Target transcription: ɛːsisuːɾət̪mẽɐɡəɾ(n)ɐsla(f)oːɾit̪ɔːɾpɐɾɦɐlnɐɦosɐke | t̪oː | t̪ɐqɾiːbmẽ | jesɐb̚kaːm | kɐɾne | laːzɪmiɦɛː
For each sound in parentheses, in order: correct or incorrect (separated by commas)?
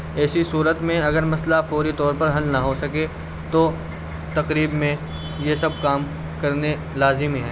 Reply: incorrect, correct